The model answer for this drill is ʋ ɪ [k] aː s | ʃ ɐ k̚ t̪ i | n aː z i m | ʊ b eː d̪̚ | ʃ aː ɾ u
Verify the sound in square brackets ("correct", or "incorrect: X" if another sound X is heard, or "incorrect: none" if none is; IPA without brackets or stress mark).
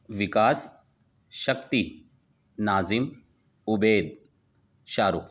correct